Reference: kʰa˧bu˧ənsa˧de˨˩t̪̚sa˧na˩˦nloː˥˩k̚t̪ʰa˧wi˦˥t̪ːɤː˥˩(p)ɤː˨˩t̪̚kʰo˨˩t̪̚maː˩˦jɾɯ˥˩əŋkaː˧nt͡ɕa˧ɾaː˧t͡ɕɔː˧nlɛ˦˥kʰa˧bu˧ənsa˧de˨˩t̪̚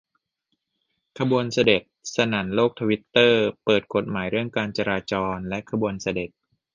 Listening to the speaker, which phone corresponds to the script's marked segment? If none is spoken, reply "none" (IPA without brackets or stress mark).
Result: p